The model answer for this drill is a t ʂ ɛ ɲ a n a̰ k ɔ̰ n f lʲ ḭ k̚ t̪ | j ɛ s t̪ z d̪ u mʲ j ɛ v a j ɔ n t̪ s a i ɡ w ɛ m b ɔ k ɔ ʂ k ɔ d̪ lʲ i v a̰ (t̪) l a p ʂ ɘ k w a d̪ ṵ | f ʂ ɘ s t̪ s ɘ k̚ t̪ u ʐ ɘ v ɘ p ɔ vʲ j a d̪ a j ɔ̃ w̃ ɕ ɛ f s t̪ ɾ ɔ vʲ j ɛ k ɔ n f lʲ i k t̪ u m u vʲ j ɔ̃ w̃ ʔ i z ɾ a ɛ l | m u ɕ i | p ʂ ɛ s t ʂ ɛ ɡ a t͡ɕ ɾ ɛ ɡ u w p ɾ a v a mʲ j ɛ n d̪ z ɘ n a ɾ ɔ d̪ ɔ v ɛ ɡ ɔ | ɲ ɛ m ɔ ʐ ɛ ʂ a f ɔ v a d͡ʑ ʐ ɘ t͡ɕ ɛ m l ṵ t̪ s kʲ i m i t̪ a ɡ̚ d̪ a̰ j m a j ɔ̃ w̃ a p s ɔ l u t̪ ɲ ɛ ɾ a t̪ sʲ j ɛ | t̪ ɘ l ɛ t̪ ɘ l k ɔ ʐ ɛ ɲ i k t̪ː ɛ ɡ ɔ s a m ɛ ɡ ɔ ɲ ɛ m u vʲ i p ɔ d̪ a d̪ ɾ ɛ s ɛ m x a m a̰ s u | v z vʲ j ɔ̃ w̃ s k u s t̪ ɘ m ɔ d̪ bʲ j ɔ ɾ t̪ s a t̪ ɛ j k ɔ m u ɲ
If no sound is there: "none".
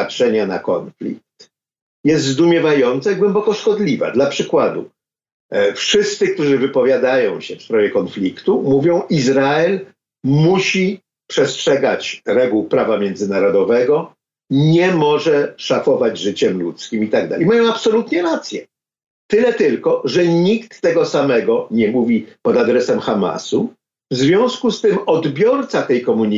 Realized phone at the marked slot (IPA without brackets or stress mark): d̪